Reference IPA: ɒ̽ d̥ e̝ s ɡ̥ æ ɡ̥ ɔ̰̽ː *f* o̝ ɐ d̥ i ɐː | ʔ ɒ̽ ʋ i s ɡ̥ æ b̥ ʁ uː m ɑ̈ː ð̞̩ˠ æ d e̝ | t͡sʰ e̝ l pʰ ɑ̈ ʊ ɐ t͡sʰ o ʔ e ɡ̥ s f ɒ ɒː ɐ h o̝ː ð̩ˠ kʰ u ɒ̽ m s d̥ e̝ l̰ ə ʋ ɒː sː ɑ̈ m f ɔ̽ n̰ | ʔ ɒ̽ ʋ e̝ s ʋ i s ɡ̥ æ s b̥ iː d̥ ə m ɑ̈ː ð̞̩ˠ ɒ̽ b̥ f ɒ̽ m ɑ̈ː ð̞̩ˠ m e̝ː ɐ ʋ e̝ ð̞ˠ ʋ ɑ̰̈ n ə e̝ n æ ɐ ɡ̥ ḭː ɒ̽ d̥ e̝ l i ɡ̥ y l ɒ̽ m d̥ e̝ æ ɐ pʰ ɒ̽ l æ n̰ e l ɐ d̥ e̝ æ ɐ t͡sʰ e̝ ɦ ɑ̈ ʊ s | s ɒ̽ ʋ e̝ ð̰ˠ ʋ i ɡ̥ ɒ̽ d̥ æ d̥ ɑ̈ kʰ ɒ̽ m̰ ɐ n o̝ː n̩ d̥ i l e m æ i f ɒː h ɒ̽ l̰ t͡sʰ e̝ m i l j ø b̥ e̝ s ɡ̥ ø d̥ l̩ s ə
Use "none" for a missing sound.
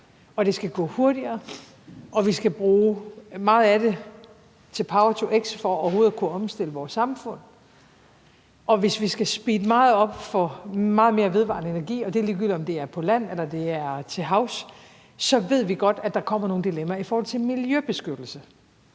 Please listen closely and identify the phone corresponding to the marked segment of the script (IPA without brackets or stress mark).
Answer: h